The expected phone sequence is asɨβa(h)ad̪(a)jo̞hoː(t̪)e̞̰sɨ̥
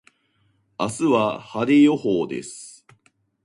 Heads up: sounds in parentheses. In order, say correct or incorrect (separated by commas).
correct, incorrect, incorrect